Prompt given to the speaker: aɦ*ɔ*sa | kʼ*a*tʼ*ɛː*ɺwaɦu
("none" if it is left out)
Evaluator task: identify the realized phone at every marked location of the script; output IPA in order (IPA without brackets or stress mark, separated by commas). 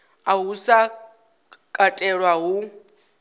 u, a, ɛ